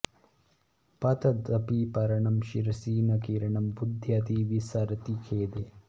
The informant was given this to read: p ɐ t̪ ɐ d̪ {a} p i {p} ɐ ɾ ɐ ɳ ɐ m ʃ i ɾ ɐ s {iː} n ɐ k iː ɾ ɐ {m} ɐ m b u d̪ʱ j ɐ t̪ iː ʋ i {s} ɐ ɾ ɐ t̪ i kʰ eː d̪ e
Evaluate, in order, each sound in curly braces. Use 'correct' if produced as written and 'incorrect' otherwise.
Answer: incorrect: ɐ, correct, correct, incorrect: ɳ, correct

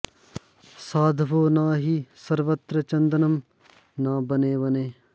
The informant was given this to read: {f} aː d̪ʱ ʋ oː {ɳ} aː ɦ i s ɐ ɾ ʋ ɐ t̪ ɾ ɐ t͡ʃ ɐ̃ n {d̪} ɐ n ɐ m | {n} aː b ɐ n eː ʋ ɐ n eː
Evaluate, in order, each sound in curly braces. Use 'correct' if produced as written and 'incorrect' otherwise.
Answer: incorrect: s, incorrect: n, correct, correct

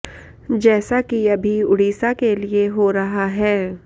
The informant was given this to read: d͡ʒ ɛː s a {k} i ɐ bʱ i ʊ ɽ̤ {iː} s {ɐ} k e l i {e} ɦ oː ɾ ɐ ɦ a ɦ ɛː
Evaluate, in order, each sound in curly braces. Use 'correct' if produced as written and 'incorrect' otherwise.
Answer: correct, correct, incorrect: a, correct

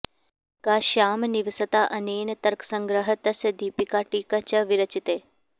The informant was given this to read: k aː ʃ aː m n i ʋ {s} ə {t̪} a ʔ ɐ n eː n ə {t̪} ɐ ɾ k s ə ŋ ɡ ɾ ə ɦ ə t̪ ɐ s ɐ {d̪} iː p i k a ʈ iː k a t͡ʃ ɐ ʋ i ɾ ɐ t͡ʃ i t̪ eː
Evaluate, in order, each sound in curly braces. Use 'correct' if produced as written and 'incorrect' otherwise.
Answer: correct, correct, correct, correct

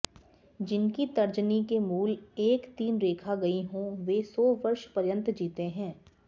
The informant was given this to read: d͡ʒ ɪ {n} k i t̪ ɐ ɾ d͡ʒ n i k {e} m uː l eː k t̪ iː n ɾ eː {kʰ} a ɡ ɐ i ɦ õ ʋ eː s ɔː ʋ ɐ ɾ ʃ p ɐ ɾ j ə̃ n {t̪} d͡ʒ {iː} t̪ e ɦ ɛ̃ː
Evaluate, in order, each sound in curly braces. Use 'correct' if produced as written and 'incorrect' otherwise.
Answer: correct, correct, correct, correct, correct

